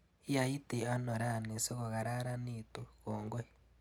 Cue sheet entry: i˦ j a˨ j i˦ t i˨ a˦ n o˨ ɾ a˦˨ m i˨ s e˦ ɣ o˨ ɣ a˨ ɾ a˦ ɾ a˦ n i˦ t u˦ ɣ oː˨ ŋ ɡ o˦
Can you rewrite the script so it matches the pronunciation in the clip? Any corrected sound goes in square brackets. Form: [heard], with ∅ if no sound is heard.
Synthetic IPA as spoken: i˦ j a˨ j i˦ t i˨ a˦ n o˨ ɾ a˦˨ [n] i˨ s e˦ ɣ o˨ ɣ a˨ ɾ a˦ ɾ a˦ n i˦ t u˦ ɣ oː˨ ŋ ɡ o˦

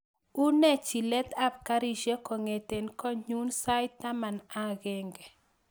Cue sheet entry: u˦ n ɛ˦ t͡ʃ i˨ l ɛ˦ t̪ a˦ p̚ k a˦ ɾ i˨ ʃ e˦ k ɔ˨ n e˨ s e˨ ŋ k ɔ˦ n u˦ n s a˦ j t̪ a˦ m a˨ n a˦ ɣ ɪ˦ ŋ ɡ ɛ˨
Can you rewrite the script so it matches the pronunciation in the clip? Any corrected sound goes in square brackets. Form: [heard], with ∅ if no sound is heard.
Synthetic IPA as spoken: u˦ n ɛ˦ t͡ʃ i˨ l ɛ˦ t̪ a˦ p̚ k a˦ ɾ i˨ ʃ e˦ k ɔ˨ [ŋ] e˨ [t] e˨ [n] k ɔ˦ [ɲ] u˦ n s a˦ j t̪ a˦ m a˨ n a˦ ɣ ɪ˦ ŋ ɡ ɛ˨

